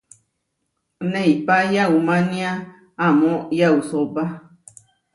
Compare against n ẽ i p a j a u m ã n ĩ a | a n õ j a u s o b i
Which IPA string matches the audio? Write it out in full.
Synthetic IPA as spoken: n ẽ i p a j a u m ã n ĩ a | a m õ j a u s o b a